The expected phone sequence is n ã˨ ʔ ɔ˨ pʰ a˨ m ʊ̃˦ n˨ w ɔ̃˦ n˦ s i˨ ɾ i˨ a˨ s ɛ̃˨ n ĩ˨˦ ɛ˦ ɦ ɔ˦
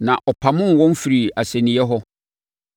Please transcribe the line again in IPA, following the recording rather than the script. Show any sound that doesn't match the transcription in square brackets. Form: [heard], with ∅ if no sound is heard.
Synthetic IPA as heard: n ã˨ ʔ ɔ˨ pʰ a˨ m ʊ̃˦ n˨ w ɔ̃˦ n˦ [f] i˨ ɾ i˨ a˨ s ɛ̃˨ n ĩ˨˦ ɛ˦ ɦ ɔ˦